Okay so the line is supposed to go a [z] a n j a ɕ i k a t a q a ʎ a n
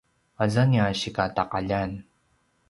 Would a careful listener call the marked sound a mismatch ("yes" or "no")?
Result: no